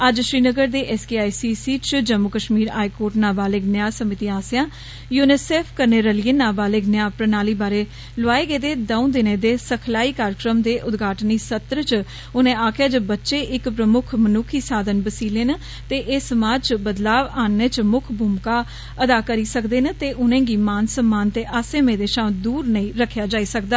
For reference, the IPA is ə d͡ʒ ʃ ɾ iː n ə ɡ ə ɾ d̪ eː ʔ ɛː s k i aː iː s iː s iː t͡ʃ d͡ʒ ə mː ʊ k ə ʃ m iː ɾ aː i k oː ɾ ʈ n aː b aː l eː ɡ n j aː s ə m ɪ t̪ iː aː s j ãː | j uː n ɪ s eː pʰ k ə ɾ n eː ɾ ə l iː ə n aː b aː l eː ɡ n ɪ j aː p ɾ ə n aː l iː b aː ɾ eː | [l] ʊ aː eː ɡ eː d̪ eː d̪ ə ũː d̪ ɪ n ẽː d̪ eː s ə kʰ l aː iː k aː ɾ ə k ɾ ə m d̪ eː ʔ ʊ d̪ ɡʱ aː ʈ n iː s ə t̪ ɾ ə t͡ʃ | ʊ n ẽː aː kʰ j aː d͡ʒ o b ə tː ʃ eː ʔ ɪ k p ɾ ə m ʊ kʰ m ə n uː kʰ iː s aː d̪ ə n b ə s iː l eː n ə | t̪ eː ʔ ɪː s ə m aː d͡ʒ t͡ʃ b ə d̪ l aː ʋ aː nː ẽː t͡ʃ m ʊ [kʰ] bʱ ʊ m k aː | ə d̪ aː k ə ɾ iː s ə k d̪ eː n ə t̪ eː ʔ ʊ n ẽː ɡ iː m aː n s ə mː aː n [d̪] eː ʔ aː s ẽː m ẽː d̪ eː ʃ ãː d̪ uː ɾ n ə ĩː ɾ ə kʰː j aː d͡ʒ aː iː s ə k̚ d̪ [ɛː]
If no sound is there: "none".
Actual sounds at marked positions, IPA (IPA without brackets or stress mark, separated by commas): l, kʰ, t̪, aː